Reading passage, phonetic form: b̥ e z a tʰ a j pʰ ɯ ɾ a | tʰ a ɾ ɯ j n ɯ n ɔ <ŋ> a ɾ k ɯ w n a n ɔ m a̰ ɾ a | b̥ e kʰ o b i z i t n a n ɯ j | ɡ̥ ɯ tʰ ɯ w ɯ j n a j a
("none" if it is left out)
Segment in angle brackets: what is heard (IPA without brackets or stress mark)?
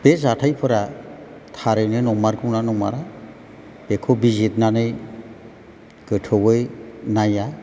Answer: m